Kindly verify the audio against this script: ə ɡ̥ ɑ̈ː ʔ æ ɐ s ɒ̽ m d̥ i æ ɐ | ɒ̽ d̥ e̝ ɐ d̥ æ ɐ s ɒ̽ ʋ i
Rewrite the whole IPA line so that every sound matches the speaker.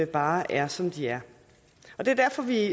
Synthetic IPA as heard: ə b̥ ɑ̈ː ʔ æ ɐ s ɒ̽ m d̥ i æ ɐ | ɒ̽ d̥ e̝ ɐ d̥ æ ɐ f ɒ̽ ʋ i